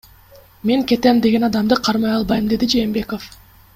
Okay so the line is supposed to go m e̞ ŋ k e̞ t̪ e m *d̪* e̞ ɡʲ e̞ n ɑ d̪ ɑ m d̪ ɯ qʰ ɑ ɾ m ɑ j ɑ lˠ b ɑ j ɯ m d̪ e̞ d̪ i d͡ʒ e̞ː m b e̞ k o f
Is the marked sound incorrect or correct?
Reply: correct